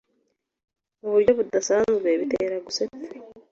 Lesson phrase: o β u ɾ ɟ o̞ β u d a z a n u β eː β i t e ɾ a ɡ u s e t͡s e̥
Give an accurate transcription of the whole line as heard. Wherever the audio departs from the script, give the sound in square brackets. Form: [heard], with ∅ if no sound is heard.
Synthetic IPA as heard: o β u ɾ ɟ o̞ β u d a [s] a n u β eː β i t e ɾ a ɡ u s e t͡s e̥